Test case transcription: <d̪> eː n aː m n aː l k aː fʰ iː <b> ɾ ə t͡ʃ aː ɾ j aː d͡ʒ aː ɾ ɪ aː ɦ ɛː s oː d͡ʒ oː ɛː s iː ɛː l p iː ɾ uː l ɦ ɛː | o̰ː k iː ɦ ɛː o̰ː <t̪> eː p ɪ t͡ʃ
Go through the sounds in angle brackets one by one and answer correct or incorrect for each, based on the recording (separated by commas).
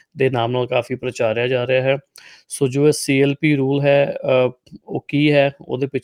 correct, incorrect, incorrect